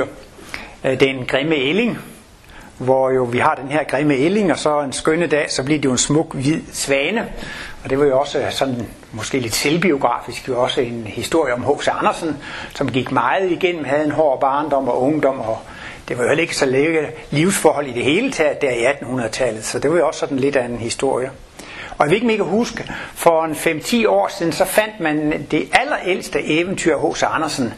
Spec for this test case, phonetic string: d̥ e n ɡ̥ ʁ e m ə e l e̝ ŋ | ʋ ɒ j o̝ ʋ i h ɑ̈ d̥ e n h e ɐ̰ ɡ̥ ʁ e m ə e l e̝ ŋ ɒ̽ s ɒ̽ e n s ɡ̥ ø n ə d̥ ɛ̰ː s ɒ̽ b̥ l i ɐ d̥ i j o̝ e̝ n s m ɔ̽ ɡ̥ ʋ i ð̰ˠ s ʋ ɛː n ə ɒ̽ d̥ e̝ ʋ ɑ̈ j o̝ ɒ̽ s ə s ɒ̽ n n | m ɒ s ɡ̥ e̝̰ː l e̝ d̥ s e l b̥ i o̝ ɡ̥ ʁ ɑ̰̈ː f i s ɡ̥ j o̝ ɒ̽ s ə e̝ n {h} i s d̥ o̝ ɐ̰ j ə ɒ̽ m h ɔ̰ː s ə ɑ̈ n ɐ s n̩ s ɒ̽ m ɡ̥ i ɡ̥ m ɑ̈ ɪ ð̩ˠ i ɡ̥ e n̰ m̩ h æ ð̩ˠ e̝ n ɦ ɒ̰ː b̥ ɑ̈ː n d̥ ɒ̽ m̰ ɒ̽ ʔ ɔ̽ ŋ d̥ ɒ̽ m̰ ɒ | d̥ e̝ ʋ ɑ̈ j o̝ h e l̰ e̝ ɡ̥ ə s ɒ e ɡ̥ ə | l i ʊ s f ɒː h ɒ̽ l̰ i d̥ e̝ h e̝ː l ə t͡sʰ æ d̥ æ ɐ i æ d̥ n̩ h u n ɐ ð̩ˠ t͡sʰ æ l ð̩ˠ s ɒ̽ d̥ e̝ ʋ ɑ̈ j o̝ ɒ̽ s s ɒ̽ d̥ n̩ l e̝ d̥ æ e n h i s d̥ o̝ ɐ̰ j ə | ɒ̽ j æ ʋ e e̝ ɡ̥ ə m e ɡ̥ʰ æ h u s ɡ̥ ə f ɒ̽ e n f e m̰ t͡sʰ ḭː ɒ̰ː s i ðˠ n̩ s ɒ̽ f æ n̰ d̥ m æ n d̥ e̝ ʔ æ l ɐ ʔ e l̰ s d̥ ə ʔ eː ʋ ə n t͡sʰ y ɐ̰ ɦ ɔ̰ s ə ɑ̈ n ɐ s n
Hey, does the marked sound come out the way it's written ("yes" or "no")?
yes